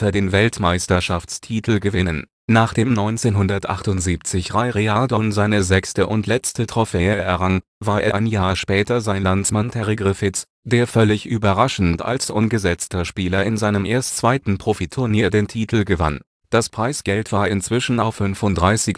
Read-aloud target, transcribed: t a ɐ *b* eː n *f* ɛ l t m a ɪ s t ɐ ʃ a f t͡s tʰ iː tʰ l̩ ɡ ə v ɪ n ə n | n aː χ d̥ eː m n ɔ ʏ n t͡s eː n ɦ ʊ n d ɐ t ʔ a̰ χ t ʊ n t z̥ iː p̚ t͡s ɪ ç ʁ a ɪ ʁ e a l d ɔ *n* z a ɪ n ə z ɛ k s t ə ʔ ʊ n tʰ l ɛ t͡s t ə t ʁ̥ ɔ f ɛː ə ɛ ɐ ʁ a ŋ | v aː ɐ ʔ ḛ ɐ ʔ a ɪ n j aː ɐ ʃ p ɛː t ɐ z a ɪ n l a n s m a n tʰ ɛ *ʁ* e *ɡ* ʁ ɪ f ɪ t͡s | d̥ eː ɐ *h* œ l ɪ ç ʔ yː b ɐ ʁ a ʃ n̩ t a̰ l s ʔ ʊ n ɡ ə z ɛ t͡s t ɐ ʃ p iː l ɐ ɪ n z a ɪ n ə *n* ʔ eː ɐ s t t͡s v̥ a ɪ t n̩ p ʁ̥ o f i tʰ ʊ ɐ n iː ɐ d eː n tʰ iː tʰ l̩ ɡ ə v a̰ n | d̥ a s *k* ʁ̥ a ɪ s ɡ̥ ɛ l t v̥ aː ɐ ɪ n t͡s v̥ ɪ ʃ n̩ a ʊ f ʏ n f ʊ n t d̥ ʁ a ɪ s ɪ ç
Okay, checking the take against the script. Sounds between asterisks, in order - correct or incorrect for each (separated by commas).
incorrect, incorrect, correct, correct, correct, incorrect, incorrect, incorrect